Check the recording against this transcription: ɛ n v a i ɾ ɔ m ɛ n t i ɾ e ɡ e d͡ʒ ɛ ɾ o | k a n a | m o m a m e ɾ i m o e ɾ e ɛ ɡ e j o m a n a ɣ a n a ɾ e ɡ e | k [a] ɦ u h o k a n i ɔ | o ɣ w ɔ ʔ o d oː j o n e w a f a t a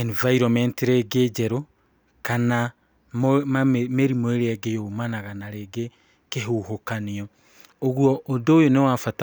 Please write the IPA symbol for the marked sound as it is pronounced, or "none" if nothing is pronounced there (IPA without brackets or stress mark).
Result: e